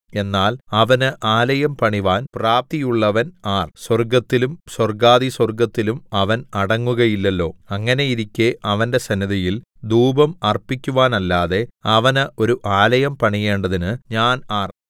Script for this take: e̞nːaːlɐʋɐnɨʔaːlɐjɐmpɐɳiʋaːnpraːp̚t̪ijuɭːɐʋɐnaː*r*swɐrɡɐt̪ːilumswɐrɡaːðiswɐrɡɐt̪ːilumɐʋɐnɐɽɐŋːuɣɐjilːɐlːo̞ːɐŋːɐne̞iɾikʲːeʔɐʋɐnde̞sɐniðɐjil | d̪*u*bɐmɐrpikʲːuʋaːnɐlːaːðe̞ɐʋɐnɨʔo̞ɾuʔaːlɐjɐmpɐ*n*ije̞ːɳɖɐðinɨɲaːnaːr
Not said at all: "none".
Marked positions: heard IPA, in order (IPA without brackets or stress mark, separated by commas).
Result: r, uː, ɳ